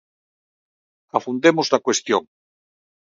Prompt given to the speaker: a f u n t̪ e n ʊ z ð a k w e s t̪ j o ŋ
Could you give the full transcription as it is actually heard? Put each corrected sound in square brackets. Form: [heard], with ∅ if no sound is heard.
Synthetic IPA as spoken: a f u n [d̪] e [m] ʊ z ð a k w e s t̪ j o ŋ